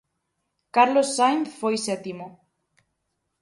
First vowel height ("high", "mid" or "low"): low